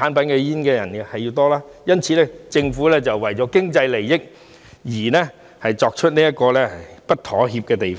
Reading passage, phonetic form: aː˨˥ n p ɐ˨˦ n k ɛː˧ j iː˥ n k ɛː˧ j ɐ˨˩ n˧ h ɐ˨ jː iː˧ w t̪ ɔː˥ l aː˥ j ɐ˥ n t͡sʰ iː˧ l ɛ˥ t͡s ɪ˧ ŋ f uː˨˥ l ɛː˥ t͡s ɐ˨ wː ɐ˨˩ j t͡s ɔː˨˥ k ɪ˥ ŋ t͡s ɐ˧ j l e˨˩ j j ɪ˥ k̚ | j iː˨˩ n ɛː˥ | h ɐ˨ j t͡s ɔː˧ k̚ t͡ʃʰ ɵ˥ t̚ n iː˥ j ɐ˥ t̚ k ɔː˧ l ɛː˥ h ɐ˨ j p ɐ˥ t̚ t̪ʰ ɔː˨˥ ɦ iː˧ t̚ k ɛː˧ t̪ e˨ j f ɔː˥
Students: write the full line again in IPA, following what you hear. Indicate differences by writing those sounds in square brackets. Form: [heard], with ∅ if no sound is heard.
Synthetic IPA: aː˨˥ n p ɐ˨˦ n k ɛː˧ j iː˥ n k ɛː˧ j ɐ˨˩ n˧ h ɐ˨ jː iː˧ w t̪ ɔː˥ l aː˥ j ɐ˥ n t͡sʰ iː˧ l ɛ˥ t͡s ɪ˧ ŋ f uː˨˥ l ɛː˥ t͡s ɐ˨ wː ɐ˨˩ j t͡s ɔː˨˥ k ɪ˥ ŋ t͡s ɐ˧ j l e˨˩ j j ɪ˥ k̚ | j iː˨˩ n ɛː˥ | h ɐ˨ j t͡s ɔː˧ k̚ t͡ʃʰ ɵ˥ t̚ n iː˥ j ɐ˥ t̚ k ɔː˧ l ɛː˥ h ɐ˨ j p ɐ˥ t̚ t̪ʰ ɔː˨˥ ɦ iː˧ [p̚] k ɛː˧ t̪ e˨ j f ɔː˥

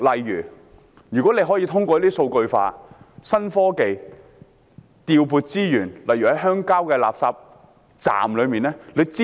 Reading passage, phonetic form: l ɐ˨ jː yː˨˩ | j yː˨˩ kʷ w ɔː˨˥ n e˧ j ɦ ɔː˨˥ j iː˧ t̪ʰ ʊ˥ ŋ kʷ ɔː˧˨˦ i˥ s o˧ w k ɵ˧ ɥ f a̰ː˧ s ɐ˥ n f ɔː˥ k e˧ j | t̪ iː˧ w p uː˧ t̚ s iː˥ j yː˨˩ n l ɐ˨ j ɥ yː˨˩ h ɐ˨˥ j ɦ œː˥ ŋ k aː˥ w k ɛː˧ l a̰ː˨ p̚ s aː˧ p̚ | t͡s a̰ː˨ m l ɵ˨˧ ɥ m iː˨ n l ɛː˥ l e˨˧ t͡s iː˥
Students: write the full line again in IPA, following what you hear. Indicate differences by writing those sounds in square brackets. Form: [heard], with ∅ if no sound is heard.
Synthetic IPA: l ɐ˨ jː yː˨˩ | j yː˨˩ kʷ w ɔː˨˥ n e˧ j ɦ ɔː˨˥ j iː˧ t̪ʰ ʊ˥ ŋ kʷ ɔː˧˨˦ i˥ s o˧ w k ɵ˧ ɥ f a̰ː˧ s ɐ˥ n f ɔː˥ k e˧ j | t̪ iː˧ w p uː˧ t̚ [t͡s] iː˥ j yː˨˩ n l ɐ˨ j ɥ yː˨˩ h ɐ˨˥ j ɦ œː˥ ŋ k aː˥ w k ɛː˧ l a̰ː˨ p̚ s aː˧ p̚ | t͡s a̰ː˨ m l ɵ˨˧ ɥ m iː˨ n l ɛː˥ l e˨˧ t͡s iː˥

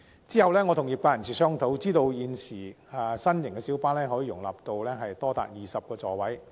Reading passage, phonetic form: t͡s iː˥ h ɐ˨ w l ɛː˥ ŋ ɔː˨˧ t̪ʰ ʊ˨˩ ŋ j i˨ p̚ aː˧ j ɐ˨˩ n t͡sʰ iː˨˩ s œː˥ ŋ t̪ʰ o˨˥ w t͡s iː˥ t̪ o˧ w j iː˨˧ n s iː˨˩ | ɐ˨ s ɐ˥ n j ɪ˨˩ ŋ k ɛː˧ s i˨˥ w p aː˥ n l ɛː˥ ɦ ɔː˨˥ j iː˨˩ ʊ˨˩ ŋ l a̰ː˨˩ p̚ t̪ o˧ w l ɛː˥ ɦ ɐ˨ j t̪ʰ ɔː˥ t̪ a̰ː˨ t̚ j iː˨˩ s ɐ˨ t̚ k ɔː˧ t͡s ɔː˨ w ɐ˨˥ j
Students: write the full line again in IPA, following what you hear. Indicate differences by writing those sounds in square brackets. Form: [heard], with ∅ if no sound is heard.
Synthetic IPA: t͡s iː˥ h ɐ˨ w l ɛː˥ ŋ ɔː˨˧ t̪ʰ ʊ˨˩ ŋ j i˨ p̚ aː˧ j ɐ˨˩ n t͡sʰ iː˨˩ s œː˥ ŋ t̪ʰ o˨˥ w t͡s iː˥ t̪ o˧ w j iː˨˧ n s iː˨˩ | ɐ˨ s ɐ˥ n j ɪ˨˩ ŋ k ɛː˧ s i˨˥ w p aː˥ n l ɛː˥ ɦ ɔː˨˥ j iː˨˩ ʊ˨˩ ŋ l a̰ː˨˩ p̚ t̪ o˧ w l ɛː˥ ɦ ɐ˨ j [t̪] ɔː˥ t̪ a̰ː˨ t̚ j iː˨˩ s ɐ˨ [p̚] k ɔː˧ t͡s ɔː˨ w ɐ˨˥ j

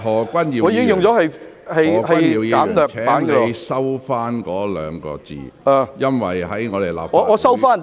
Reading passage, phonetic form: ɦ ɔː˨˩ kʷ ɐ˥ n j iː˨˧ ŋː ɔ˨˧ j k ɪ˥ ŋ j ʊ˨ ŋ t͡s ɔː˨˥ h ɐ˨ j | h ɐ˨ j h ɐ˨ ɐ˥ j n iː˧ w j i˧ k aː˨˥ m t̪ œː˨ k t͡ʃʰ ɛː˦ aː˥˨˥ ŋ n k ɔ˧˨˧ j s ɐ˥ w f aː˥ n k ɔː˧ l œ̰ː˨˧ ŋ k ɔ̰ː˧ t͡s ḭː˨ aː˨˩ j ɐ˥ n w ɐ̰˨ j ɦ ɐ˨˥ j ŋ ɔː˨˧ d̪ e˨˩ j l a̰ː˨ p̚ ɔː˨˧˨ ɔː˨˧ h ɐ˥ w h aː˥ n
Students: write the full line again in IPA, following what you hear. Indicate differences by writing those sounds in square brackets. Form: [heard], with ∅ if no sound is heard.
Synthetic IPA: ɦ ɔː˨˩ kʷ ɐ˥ n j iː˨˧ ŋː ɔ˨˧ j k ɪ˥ ŋ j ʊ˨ ŋ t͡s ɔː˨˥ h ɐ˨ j | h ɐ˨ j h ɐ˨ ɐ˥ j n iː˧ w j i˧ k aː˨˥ m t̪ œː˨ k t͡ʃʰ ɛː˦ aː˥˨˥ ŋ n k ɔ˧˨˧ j s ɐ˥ w f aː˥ n k [ɔː˨˥] l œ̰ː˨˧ ŋ k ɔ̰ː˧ t͡s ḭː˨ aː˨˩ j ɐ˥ n w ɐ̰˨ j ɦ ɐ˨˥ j ŋ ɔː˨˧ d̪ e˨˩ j l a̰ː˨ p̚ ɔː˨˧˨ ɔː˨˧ [s] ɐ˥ w [f] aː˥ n

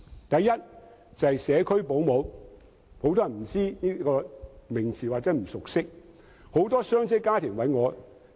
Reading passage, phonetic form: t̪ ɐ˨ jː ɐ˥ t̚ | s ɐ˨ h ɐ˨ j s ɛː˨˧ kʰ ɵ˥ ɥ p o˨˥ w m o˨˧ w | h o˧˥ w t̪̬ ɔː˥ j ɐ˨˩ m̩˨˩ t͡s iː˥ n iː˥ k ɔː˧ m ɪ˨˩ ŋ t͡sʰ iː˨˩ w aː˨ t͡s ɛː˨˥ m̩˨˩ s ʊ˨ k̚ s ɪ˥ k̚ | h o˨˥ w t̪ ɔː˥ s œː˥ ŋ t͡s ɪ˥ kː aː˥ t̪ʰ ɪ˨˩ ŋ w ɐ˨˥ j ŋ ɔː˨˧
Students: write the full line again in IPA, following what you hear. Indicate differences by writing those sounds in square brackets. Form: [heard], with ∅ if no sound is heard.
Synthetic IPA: t̪ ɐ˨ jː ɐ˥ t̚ | [t͡s] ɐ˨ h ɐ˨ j s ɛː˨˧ kʰ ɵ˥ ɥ p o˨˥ w m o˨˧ w | h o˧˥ w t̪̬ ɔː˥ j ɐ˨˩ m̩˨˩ t͡s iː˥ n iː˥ k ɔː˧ m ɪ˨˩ ŋ t͡sʰ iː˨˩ w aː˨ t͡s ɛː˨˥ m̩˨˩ s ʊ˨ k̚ s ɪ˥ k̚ | h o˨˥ w t̪ ɔː˥ s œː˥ ŋ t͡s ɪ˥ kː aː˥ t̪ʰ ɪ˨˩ ŋ w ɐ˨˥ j ŋ ɔː˨˧

